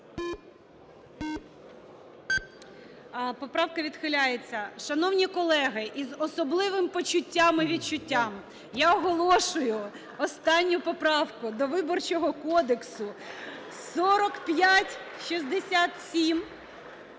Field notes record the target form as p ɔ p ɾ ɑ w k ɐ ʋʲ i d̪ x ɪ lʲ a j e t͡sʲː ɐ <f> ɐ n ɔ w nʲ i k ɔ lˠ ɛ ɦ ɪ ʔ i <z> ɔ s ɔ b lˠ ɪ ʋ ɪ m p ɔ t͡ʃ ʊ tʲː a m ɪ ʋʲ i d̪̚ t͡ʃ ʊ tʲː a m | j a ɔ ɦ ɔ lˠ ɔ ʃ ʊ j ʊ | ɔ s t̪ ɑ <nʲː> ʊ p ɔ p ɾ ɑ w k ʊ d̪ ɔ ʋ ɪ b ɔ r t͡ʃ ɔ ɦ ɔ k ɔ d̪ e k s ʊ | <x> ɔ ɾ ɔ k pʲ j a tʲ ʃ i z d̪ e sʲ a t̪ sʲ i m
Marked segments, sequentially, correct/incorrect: incorrect, correct, correct, incorrect

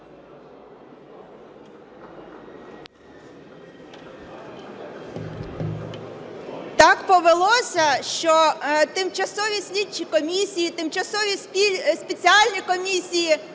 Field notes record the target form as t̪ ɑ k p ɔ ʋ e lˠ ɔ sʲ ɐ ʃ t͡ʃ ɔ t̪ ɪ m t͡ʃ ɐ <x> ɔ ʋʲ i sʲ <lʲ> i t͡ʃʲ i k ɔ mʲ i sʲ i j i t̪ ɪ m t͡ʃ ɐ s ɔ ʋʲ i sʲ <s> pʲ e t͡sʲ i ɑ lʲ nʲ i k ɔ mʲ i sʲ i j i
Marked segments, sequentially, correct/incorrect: incorrect, correct, correct

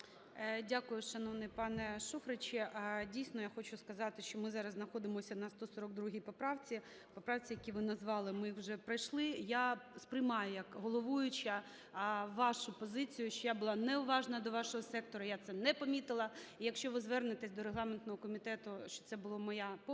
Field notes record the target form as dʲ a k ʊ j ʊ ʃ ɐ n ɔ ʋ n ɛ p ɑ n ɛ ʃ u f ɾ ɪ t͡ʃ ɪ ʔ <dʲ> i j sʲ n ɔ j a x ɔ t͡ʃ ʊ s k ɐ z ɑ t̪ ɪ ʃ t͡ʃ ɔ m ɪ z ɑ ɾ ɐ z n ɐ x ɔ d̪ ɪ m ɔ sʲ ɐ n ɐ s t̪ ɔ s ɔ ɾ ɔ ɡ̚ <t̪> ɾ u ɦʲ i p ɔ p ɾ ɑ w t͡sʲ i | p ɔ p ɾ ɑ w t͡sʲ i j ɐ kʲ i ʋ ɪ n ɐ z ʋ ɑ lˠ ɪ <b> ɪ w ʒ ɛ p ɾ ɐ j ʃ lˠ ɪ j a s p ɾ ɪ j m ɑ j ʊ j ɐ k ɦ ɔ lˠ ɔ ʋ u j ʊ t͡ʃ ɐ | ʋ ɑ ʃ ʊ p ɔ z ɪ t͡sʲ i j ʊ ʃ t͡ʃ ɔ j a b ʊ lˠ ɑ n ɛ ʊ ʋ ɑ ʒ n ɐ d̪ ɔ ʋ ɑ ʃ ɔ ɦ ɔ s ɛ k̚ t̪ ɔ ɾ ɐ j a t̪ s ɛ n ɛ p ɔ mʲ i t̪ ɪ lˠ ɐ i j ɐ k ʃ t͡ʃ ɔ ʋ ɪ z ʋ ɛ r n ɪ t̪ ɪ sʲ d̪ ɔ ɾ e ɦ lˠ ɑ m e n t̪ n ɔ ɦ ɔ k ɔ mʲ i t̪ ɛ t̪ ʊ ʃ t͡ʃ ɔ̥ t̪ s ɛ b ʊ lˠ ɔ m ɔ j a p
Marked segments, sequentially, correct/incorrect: correct, incorrect, incorrect

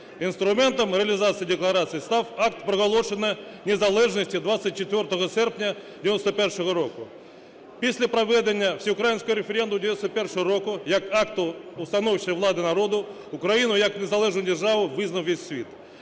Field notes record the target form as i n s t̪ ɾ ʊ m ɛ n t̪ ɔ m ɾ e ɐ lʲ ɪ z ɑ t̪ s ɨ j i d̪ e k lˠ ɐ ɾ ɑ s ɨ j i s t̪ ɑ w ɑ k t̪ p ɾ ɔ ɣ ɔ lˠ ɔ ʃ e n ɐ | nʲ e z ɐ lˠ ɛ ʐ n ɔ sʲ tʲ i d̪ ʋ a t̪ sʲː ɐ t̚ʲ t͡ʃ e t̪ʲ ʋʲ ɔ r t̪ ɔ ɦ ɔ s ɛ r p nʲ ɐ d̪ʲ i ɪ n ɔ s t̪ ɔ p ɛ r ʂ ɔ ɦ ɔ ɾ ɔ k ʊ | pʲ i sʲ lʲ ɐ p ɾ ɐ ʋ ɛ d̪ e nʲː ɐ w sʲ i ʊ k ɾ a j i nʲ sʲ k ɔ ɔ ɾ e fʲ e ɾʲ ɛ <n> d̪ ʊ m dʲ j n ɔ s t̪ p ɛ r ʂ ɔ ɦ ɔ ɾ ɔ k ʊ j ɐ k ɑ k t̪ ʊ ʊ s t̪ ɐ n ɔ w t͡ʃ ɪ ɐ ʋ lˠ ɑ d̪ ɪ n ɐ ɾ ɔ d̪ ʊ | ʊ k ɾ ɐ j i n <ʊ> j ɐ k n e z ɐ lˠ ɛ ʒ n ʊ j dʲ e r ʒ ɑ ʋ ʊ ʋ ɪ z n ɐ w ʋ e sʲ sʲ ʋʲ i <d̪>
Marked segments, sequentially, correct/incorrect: correct, correct, incorrect

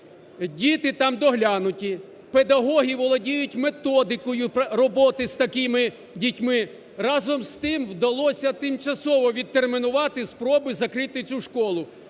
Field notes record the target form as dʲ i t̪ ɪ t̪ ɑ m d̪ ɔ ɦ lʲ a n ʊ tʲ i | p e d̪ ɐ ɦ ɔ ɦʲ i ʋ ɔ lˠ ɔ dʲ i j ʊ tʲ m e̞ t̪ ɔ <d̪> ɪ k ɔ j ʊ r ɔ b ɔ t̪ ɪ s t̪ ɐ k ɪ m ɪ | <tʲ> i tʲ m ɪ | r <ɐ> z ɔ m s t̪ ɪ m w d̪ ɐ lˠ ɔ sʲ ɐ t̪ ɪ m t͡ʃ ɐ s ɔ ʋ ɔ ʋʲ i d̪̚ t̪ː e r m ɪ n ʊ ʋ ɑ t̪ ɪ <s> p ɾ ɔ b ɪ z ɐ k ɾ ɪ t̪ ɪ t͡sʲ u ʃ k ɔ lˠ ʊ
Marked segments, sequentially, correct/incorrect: correct, incorrect, incorrect, correct

